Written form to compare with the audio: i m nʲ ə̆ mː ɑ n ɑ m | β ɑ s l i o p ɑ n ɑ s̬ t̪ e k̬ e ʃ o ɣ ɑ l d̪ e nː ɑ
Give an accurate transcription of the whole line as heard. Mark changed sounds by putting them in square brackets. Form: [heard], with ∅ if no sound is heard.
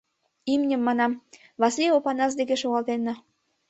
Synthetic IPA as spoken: i m nʲ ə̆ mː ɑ n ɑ m | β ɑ s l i o p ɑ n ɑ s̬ [d̪] e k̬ e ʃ o ɣ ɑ l [t̪] e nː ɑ